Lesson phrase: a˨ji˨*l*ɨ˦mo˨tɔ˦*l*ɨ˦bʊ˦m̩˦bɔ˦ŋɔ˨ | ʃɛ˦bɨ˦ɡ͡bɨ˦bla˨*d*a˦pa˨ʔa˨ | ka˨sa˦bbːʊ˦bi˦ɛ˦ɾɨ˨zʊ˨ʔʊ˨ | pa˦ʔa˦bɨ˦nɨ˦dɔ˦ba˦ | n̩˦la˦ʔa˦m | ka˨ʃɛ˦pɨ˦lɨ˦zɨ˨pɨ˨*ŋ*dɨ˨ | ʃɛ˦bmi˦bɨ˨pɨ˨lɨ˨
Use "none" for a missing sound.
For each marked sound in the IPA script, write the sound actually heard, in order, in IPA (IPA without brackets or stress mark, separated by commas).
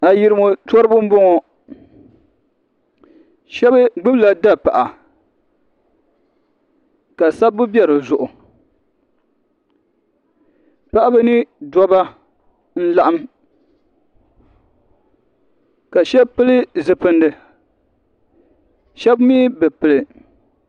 ɾ, ɾ, d, n